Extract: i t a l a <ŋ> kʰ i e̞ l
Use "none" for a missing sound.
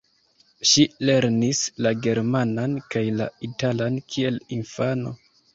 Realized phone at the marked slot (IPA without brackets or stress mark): n